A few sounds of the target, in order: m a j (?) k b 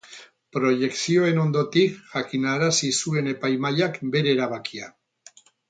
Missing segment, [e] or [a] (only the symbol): a